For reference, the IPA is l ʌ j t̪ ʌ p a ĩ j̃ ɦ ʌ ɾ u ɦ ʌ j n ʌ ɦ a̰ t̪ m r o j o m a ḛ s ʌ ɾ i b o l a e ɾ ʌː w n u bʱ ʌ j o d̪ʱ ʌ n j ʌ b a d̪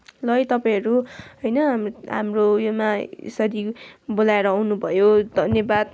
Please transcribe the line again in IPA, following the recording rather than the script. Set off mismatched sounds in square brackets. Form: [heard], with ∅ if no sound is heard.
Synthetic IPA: l ʌ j t̪ ʌ p a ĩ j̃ ɦ ʌ ɾ u ɦ ʌ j n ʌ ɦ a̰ [∅] m r o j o m a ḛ s ʌ ɾ i b o l a e ɾ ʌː w n u bʱ ʌ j o d̪ʱ ʌ n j ʌ b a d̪